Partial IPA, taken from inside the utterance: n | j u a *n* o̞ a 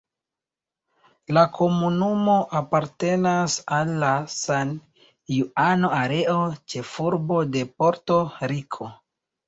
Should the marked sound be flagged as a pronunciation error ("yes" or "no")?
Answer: no